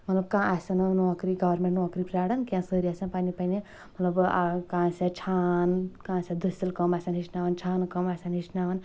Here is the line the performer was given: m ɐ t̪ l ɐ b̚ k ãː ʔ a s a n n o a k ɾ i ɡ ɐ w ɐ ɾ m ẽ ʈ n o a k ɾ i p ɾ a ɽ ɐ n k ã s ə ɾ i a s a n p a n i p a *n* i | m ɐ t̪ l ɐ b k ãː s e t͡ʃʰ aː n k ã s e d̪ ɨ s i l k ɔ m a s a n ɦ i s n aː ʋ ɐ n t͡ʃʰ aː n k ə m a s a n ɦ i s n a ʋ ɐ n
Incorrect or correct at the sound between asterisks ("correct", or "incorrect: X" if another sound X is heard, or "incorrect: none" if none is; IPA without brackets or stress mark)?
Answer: correct